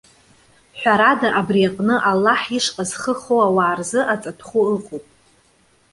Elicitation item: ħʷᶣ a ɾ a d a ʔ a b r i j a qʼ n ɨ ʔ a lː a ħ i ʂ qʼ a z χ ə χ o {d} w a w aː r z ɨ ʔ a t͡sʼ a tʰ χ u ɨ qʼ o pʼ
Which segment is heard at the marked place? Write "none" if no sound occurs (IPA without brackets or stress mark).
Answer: none